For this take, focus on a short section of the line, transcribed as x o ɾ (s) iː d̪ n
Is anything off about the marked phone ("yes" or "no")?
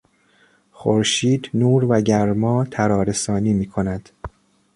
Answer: yes